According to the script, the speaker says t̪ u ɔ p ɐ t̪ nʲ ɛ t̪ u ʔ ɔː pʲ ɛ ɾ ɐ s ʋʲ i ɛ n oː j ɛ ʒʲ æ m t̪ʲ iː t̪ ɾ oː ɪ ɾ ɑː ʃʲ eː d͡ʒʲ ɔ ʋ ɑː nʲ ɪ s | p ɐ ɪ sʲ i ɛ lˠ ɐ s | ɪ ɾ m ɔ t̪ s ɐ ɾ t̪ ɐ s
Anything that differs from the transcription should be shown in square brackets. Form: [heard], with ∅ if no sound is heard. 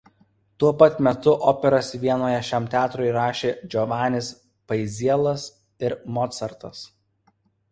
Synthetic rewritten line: t̪ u ɔ p ɐ t̪ [mʲ] ɛ t̪ [ʊ] ʔ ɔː pʲ ɛ ɾ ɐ s ʋʲ i ɛ n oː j ɛ [ʃʲ] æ m t̪ʲ [æː] t̪ ɾ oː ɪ ɾ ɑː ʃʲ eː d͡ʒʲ ɔ ʋ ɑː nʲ ɪ s | p ɐ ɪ [zʲ] i ɛ lˠ ɐ s | ɪ ɾ m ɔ t̪ s ɐ ɾ t̪ ɐ s